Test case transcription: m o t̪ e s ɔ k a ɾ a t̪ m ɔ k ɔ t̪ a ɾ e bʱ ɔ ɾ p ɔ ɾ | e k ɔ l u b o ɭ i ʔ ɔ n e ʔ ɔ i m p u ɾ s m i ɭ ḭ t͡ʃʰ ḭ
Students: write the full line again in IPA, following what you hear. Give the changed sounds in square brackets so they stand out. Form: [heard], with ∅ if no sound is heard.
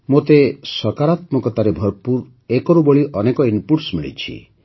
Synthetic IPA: m o t̪ e s ɔ k a ɾ a t̪ m ɔ k ɔ t̪ a ɾ e bʱ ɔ ɾ p [u] ɾ | e k ɔ [ɾ] u b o ɭ i ʔ ɔ n e [k] ɔ i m p u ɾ s m i ɭ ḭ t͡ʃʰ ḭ